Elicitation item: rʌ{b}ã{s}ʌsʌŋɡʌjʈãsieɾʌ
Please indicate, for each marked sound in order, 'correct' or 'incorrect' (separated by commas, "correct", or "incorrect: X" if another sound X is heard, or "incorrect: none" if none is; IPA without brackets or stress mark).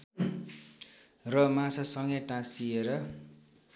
incorrect: m, correct